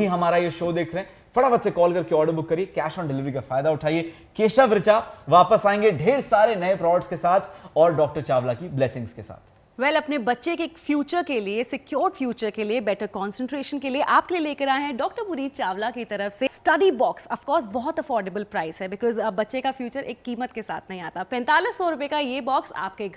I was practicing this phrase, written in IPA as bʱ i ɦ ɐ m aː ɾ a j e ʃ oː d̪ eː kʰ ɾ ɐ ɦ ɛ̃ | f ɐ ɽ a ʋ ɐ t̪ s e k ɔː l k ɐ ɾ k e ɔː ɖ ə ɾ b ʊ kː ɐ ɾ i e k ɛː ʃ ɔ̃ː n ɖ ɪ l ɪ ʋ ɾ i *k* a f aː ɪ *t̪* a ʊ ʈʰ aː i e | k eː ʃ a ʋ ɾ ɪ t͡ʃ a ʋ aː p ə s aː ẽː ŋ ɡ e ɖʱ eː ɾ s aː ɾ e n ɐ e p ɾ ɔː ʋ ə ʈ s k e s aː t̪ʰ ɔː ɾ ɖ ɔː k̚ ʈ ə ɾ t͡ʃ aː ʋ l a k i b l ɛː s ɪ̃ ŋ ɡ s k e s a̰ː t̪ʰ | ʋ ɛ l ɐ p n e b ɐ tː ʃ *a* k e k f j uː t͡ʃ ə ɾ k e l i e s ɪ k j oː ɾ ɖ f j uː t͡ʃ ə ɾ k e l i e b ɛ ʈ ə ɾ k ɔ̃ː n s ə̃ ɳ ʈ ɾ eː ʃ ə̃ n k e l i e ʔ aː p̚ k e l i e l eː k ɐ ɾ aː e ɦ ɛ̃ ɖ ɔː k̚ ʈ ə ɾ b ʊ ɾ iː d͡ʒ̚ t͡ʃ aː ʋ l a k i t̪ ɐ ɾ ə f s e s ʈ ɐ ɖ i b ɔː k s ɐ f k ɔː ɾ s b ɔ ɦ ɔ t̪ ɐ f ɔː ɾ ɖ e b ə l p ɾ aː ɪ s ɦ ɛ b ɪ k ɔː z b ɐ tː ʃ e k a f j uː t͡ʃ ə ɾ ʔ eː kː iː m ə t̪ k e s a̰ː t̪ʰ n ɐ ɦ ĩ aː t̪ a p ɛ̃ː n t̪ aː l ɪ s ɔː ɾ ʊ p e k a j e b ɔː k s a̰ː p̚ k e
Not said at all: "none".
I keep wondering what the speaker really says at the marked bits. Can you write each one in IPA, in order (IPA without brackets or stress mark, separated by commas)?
k, d̪, e